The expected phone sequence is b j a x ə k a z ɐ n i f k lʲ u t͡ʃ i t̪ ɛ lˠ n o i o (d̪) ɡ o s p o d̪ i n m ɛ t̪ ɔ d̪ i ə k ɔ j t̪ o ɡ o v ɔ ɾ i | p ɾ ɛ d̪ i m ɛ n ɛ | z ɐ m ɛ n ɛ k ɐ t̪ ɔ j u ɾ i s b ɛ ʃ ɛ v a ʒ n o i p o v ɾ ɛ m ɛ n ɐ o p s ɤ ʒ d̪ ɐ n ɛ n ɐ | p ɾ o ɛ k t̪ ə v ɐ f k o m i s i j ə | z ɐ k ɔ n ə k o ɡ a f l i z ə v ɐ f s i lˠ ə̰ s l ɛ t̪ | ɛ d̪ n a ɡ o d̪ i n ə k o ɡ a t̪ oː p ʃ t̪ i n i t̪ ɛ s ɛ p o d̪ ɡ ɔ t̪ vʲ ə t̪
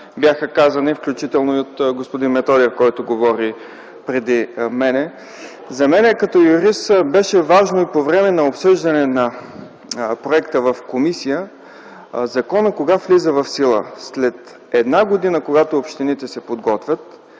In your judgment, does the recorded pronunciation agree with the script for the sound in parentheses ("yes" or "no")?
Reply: no